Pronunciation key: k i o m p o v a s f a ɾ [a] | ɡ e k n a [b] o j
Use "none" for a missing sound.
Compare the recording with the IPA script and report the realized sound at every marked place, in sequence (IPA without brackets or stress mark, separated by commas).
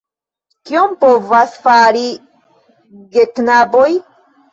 i, b